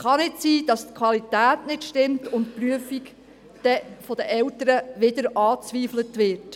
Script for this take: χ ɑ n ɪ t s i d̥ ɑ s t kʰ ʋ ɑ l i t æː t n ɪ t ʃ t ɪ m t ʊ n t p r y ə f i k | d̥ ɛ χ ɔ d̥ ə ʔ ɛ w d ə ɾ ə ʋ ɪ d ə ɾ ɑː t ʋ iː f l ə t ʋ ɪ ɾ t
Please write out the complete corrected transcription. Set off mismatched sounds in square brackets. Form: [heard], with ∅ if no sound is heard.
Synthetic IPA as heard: χ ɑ n ɪ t s [iː] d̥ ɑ s t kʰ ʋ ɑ l i t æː t n ɪ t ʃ t ɪ m t ʊ n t p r y ə f i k | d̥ ɛ [f] ɔ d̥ ə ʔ ɛ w [t] ə ɾ ə ʋ ɪ d ə ɾ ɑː [t͡s] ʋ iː f l ə t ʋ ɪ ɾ t